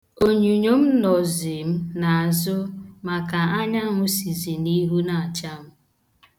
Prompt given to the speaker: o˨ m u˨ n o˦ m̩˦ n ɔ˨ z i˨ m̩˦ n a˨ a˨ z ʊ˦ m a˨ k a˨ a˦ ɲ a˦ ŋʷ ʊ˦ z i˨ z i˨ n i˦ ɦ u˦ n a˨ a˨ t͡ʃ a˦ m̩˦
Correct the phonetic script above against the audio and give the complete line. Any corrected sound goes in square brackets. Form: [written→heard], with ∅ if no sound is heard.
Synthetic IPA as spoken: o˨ [m→ɲ] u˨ [n→ɲ] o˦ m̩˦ n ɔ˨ z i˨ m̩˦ n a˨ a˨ z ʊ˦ m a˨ k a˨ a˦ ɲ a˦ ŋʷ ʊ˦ [z→s] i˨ z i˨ n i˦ ɦ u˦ n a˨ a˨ t͡ʃ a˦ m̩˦